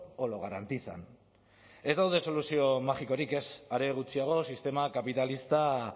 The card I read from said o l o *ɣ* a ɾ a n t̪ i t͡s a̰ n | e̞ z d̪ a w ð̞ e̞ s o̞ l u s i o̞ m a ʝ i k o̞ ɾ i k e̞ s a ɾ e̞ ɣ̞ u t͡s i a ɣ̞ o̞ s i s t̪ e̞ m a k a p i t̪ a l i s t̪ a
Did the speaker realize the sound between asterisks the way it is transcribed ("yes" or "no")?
yes